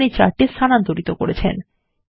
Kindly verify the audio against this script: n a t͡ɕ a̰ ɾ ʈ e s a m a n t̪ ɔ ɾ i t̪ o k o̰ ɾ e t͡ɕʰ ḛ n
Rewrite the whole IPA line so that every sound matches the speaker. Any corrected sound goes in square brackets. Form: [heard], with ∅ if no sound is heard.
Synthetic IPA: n [i] t͡ɕ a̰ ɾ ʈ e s a [n] a n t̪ [o] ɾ i t̪ o k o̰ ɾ e t͡ɕʰ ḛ n

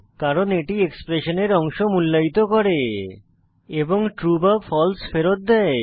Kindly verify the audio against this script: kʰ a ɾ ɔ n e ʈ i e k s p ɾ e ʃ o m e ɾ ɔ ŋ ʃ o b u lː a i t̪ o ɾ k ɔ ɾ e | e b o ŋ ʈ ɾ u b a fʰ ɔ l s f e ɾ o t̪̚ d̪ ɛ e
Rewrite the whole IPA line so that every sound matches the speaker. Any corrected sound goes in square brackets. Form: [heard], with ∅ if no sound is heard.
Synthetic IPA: [k] a ɾ [o] n e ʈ i e k s p ɾ e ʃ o [n] e ɾ ɔ ŋ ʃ o [m] u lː a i t̪ o [∅] k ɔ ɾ e | e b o ŋ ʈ ɾ u b a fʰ ɔ l s f e ɾ o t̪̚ d̪ ɛ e

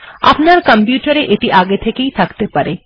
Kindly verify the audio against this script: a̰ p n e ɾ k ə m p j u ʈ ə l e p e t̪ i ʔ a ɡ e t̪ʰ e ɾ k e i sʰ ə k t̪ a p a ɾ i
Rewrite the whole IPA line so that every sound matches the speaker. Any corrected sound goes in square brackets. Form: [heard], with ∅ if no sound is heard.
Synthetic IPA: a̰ p n [a] ɾ k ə m p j u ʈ ə [ɾ] e [ʔ] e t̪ i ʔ a ɡ e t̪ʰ e [∅] k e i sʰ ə k t̪ [e] p [ə] ɾ [e]

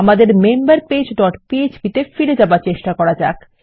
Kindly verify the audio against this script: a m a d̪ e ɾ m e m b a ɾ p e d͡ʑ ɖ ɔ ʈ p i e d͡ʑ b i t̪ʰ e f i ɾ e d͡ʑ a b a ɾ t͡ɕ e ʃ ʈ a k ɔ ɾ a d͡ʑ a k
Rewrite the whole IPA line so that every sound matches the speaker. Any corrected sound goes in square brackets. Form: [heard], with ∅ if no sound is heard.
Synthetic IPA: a m a d̪ e ɾ m e m b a ɾ p e d͡ʑ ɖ ɔ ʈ p i e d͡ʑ b i [t̪] e f i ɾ e d͡ʑ a b a ɾ t͡ɕ e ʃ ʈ a k ɔ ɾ a d͡ʑ a k

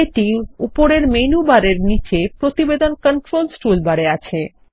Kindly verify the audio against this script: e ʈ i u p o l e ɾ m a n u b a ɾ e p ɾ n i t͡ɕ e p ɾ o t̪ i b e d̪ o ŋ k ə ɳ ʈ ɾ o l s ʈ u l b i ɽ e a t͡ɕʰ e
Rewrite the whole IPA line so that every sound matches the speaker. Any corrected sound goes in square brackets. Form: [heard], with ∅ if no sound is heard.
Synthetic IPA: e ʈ i u p o [ɾ] e ɾ m [e] n u b a ɾ e [∅] ɾ n i t͡ɕ e p ɾ o t̪ i b e d̪ o [n] k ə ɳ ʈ ɾ o l s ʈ u l b [a] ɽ e a t͡ɕʰ e

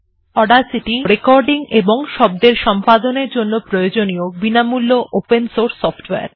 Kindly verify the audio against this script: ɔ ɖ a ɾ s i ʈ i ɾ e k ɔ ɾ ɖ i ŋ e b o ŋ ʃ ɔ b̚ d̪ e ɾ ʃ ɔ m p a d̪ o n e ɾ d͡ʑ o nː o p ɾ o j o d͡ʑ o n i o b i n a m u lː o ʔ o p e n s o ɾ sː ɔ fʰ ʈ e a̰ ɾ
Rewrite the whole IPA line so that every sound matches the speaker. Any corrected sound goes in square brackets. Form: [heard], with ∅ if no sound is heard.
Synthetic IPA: ɔ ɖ a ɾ s i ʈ i ɾ e k ɔ ɾ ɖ i ŋ e b o ŋ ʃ ɔ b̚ d̪ e ɾ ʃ ɔ m p a d̪ o n e ɾ d͡ʑ o nː o p ɾ o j o d͡ʑ o n i o b i n a m u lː o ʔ o p e n s o ɾ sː ɔ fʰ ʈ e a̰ ɾ

